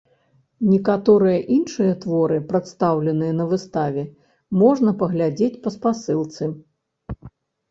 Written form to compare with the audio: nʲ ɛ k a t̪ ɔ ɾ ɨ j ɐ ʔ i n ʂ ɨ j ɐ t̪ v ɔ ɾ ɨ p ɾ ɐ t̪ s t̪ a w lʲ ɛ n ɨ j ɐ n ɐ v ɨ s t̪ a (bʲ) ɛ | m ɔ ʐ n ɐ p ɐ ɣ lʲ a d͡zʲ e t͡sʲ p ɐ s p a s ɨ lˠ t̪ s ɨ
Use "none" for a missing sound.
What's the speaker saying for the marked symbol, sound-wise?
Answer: vʲ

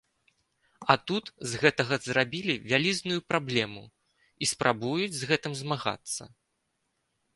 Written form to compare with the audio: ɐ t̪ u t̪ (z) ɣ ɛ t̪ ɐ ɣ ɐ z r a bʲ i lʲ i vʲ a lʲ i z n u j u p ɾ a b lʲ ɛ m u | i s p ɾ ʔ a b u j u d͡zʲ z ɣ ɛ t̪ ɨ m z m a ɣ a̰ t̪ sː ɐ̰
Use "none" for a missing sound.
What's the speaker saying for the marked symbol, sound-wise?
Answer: z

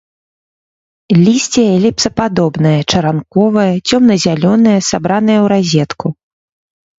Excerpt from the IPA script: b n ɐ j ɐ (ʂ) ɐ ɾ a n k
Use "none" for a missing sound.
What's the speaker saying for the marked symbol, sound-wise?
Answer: t͡ʂ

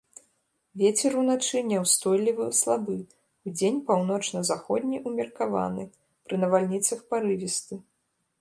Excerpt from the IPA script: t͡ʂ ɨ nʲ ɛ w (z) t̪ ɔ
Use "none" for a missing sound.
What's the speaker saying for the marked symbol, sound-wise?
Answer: s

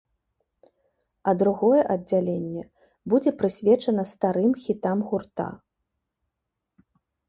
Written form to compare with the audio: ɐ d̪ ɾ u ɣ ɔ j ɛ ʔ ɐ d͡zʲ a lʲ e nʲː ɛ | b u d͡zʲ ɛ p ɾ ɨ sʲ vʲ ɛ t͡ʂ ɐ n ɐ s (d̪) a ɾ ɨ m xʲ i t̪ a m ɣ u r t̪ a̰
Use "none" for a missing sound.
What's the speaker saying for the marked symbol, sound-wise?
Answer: t̪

